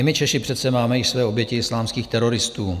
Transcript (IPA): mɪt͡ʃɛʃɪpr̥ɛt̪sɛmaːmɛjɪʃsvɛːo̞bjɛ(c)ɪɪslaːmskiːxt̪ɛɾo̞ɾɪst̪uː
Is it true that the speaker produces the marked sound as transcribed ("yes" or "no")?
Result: yes